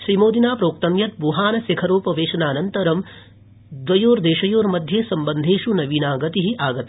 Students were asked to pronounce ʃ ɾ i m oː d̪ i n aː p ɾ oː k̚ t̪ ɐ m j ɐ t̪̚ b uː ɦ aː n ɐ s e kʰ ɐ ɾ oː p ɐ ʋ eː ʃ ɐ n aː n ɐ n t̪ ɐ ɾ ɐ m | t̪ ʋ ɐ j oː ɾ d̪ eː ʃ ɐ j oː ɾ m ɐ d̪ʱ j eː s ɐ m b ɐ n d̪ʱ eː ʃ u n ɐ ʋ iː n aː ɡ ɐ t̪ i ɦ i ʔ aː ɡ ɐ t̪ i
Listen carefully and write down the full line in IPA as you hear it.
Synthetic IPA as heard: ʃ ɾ i m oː d̪ i n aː p ɾ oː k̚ t̪ ɐ m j ɐ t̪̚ b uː ɦ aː n ɐ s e kʰ ɐ ɾ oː p ɐ ʋ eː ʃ ɐ n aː n ɐ n t̪ ɐ ɾ ɐ m | d̪ ʋ ɐ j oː ɾ d̪ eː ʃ ɐ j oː ɾ m ɐ d̪ʱ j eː s ɐ m b ɐ n d̪ʱ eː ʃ u n ɐ ʋ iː n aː ɡ ɐ t̪ i ɦ i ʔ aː ɡ ɐ t̪ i